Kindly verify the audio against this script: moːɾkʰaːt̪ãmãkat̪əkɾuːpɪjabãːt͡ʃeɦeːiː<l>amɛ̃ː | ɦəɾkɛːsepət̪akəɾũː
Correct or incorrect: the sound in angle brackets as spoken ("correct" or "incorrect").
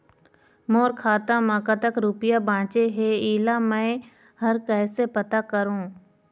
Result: correct